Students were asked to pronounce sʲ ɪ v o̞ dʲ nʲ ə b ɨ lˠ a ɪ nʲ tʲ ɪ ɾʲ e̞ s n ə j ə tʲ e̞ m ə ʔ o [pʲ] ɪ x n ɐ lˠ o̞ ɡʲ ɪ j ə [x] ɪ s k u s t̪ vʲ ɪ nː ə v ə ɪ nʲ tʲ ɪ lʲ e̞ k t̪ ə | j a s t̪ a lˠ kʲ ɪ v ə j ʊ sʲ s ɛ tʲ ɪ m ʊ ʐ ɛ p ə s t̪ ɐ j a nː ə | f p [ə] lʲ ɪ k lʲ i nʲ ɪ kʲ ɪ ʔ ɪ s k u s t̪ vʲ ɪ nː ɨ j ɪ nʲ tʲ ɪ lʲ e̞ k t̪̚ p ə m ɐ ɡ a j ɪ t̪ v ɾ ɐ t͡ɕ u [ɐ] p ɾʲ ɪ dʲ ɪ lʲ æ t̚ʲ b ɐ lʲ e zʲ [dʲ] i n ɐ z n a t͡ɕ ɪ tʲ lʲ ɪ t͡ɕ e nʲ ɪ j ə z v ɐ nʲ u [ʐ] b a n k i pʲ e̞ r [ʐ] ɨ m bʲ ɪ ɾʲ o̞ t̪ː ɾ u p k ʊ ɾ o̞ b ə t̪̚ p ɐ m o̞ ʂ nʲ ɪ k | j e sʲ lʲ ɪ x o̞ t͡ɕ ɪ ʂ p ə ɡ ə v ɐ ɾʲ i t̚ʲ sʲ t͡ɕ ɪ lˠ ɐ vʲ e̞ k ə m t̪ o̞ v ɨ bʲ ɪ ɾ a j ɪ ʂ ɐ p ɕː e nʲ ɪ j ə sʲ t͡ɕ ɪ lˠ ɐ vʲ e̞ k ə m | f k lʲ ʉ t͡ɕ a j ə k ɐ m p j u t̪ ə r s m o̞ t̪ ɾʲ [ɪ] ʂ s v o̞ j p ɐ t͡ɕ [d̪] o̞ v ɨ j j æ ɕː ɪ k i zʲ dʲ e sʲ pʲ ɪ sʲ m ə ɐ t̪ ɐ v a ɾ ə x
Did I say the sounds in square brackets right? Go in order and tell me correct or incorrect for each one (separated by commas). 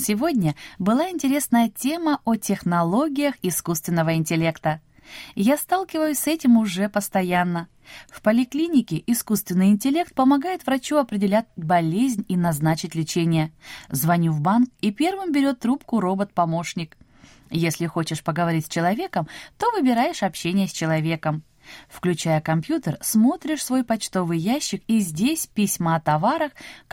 incorrect, correct, correct, correct, incorrect, incorrect, incorrect, correct, incorrect